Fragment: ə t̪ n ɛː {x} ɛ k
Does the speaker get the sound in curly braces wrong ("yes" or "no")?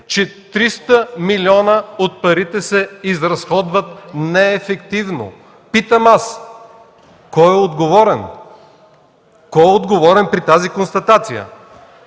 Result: yes